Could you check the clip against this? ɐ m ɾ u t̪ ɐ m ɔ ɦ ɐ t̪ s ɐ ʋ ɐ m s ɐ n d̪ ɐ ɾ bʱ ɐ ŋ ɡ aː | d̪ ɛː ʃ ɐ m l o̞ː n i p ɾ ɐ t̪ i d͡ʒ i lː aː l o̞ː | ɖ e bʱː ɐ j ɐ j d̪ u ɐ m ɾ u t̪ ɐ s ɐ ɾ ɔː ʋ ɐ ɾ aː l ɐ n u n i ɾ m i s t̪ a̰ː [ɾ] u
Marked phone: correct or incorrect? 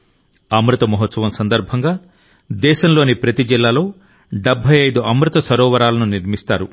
correct